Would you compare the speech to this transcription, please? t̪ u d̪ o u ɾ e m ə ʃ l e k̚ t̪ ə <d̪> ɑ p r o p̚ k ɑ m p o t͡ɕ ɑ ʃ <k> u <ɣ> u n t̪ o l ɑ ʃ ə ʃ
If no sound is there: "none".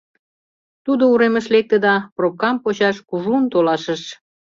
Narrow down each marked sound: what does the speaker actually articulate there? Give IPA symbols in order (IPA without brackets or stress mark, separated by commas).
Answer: d̪, k, ʒ